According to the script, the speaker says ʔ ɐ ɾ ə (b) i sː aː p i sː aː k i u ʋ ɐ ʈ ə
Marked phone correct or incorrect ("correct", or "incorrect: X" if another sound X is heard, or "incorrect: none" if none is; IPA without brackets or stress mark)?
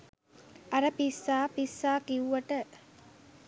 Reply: incorrect: p